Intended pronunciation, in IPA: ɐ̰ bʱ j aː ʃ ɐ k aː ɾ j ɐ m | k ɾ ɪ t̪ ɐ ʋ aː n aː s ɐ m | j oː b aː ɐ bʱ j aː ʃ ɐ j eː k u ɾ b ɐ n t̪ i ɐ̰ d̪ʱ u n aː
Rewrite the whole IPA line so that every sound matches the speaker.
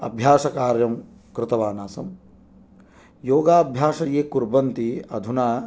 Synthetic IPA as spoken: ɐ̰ bʱ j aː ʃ ɐ k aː ɾ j ɐ m | k ɾ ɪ t̪ ɐ ʋ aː n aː s ɐ m | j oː ɡ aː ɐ bʱ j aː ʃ ɐ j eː k u ɾ b ɐ n t̪ i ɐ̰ d̪ʱ u n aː